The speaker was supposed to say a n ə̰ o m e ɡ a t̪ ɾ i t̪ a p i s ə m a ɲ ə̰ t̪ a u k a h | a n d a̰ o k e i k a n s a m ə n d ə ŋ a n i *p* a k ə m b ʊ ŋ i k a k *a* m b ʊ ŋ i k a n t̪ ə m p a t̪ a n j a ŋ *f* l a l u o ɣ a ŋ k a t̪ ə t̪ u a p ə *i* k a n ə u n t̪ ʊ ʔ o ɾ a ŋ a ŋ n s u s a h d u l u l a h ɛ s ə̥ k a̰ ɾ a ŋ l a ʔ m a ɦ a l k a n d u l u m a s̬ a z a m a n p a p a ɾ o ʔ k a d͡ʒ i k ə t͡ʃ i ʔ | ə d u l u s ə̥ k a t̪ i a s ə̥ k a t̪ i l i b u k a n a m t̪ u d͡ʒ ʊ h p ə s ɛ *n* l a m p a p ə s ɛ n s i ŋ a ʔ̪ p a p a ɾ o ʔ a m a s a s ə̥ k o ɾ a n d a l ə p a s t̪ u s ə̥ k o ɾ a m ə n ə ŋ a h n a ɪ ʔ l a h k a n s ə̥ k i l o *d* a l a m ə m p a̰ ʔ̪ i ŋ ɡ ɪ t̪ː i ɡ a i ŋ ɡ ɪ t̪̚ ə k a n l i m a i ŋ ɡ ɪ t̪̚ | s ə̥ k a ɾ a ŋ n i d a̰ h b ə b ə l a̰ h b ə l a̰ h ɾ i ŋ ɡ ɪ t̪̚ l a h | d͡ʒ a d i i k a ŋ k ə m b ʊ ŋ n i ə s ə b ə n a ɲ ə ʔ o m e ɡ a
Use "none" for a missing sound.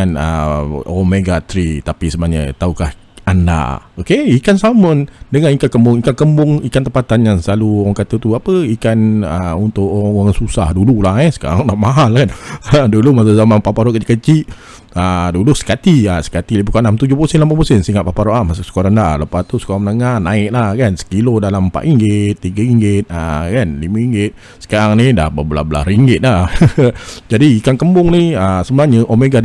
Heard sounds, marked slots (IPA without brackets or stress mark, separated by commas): k, ə, s, i, n, d